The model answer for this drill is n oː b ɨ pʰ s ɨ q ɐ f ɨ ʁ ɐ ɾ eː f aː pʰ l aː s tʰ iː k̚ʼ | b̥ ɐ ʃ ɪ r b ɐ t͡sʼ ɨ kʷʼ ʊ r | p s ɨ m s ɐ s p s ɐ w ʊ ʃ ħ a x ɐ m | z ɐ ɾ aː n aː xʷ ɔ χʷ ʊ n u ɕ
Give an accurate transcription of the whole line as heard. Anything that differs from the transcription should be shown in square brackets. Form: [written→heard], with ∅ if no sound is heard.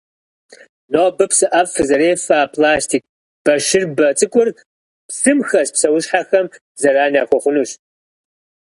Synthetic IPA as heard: n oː b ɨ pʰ s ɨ [q→ʔ] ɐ f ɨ [ʁ→z] ɐ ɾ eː f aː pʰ l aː s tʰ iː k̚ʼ | b̥ ɐ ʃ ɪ r b ɐ t͡sʼ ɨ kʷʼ ʊ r | p s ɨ m [s→x] ɐ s p s ɐ w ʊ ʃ ħ a x ɐ m | z ɐ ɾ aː n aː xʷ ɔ χʷ ʊ n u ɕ